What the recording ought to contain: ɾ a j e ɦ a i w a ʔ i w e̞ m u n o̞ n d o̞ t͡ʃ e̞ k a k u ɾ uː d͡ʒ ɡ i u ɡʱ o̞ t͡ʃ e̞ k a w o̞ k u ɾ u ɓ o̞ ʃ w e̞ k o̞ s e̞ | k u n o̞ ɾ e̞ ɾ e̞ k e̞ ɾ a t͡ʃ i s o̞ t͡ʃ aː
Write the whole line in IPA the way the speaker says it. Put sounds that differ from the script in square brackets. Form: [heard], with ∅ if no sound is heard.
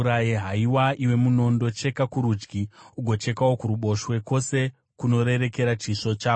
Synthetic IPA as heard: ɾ a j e ɦ a i w a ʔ i w e̞ m u n o̞ n d o̞ t͡ʃ e̞ k a k u ɾ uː d͡ʒ ɡ i u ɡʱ o̞ t͡ʃ e̞ k a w o̞ k u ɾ u ɓ o̞ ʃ w e̞ k o̞ s e̞ | k u n o̞ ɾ e̞ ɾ e̞ k e̞ ɾ a t͡ʃ i [ʂ] o̞ t͡ʃ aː